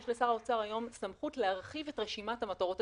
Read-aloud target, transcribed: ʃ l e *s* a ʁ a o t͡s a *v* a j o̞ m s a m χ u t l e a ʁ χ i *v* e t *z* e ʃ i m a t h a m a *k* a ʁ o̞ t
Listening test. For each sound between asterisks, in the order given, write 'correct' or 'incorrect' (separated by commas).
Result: correct, incorrect, correct, incorrect, incorrect